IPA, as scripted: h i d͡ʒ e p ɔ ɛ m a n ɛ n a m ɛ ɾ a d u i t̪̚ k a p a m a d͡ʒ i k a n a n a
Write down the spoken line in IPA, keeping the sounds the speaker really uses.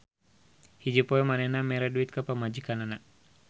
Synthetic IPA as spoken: h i d͡ʒ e p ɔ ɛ m a n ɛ n a m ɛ ɾ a d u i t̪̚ k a p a m a d͡ʒ i k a n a n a